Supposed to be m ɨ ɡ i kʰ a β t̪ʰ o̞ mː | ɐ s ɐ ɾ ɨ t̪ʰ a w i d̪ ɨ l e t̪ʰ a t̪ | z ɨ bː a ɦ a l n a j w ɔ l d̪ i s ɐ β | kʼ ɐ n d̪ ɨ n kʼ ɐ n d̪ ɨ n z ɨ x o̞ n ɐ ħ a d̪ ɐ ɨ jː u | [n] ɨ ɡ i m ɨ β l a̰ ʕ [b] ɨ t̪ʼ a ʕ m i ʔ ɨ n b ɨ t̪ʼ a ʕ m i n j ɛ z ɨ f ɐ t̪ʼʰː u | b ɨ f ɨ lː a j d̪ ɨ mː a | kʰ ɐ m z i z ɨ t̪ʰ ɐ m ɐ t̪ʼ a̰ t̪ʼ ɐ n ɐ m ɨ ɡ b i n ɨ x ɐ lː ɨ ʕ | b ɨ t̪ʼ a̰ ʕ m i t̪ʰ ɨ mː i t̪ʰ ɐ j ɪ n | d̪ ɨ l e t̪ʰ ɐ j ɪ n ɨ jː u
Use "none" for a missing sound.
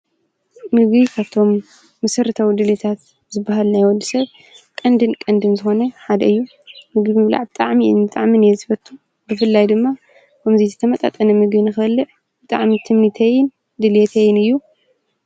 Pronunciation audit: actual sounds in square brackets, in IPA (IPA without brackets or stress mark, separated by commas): m, b